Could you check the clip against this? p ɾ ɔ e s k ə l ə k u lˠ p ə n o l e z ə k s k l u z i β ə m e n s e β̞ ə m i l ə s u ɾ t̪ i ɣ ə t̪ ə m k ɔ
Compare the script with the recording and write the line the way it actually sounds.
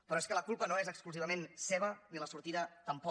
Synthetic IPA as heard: p ɾ ɔ e s k ə l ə k u lˠ p ə n o e z ə k s k l u z i β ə m e n s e β̞ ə n i l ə s u ɾ t̪ i ð ə t̪ ə m p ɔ